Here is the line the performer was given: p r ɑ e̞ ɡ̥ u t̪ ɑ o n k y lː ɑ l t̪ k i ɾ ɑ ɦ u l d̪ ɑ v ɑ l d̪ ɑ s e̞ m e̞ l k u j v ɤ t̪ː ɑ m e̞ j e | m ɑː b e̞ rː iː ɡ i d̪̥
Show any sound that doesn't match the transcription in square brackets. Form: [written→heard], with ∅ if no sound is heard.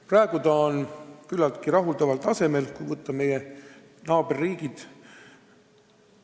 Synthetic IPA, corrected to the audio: p r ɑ e̞ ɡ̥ u t̪ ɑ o n k y lː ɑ l t̪ k i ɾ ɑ ɦ u l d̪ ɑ v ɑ l [d̪→t̪] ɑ s e̞ m e̞ l k u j v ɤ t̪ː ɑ m e̞ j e | [m→n] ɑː b e̞ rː iː ɡ i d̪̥